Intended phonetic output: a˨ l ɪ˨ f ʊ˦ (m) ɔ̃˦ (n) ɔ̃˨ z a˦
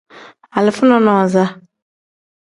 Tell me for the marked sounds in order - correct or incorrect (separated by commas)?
incorrect, correct